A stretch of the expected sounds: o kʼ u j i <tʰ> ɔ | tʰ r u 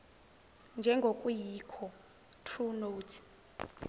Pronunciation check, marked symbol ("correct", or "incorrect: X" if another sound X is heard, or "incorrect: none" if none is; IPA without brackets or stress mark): incorrect: kʰ